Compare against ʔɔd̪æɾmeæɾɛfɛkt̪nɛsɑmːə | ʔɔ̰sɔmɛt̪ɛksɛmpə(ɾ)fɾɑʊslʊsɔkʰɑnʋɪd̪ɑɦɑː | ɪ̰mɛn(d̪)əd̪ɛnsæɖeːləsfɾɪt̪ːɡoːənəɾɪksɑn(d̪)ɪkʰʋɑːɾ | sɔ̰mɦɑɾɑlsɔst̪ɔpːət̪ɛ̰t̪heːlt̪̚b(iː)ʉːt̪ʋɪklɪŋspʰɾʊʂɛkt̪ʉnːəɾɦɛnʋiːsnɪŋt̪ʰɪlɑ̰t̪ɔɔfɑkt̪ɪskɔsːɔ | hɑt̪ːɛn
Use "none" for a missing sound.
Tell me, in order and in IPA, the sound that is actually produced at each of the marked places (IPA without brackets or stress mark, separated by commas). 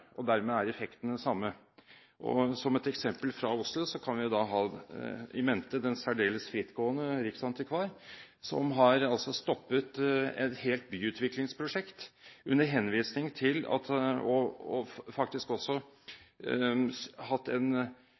l, t̪, t̪, yː